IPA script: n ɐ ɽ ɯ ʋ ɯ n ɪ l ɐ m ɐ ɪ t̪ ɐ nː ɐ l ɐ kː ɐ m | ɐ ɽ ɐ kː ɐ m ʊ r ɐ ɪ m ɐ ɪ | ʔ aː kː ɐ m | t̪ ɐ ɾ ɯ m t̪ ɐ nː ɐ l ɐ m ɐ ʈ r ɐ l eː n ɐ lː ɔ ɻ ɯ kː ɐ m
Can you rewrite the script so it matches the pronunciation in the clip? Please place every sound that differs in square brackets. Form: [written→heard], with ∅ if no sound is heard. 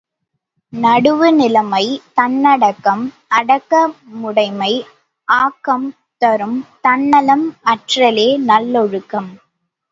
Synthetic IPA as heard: n ɐ ɽ ɯ ʋ ɯ n ɪ l ɐ m ɐ ɪ t̪ ɐ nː ɐ [l→ɽ] ɐ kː ɐ m | ɐ ɽ ɐ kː ɐ m ʊ [r→ɽ] ɐ ɪ m ɐ ɪ | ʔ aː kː ɐ m | t̪ ɐ ɾ ɯ m t̪ ɐ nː ɐ l ɐ m ɐ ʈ r ɐ l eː n ɐ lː ɔ ɻ ɯ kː ɐ m